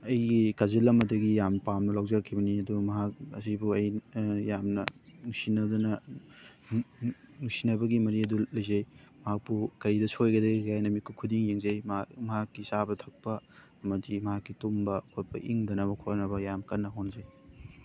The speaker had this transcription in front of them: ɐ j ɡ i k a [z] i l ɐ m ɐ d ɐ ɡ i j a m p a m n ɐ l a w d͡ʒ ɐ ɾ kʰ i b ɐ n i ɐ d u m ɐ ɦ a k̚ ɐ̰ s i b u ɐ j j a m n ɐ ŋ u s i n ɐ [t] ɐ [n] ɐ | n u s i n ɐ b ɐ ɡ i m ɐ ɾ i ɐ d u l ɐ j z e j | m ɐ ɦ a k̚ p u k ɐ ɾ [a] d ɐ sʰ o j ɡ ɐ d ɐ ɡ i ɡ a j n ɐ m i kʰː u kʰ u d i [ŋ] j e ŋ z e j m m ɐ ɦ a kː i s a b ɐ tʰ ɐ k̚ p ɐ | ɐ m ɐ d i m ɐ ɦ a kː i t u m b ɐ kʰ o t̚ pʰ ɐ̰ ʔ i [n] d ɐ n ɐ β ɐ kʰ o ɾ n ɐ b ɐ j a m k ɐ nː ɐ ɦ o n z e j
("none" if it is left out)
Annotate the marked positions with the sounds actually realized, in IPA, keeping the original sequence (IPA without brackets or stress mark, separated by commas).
z, d, n, i, ŋ, ŋ